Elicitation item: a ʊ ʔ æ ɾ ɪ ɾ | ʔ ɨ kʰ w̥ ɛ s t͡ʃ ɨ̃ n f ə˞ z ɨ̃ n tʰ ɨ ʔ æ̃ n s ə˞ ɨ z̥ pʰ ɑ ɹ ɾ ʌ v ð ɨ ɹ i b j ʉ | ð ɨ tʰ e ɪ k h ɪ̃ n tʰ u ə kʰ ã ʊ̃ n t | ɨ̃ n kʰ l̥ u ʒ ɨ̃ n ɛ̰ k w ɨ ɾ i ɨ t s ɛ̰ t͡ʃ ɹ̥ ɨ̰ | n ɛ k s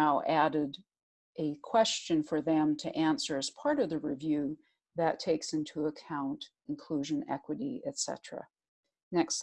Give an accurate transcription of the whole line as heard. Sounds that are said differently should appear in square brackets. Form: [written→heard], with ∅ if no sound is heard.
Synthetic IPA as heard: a ʊ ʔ æ ɾ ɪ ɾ | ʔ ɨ kʰ w̥ ɛ s t͡ʃ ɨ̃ n f ə˞ [z→ð] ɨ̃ [n→m] tʰ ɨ ʔ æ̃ n s ə˞ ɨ z̥ pʰ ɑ ɹ ɾ ʌ v ð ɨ ɹ i [b→v] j ʉ | ð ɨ tʰ e ɪ k [h→s] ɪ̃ n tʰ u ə kʰ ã ʊ̃ n t | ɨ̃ n kʰ l̥ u ʒ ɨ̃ n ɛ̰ k w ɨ ɾ i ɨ t s ɛ̰ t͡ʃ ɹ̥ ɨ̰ | n ɛ k s